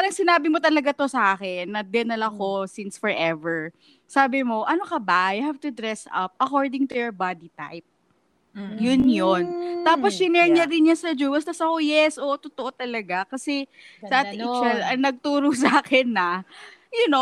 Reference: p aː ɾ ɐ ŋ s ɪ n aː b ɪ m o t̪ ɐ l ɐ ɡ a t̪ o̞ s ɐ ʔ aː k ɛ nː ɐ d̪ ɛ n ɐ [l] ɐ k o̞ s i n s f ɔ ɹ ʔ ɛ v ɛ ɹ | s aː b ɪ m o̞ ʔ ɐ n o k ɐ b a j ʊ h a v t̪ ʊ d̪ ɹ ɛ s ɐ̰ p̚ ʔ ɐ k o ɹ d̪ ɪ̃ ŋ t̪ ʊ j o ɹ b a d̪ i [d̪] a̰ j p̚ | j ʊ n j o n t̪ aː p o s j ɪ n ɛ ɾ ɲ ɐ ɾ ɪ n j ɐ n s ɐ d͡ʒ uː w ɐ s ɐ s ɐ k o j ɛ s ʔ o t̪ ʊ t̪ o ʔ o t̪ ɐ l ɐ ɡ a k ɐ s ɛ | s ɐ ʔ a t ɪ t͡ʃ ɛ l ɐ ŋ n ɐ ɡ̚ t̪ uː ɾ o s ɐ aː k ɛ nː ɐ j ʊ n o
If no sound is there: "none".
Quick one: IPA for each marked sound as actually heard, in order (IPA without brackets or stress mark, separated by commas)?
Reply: l, t̪